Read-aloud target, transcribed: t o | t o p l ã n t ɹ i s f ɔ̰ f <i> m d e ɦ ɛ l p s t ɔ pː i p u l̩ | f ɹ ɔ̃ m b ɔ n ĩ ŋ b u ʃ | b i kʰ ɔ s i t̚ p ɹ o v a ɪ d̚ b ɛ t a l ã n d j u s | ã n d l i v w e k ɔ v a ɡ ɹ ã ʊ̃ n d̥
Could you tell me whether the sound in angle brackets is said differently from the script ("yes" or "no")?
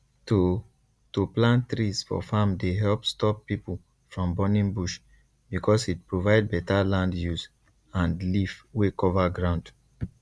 yes